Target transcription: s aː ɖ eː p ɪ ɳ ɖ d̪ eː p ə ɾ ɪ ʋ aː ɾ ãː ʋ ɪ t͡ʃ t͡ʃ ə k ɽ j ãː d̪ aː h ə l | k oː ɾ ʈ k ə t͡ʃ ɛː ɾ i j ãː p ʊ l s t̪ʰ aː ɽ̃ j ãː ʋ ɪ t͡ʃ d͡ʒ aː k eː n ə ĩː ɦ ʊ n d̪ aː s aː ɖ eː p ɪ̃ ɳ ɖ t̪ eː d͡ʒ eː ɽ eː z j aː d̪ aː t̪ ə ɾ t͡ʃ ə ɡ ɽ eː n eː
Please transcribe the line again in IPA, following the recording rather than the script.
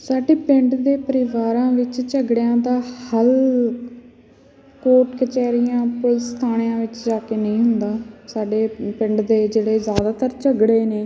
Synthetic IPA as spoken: s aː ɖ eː p ɪ ɳ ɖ d̪ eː p ə ɾ ɪ ʋ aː ɾ ãː ʋ ɪ t͡ʃ t͡ʃ ə ɡ ɽ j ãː d̪ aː h ə l | k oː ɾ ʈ k ə t͡ʃ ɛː ɾ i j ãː p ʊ l s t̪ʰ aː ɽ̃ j ãː ʋ ɪ t͡ʃ d͡ʒ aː k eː n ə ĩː ɦ ʊ n d̪ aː s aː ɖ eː p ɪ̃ ɳ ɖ d̪ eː d͡ʒ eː ɽ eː z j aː d̪ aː t̪ ə ɾ t͡ʃ ə ɡ ɽ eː n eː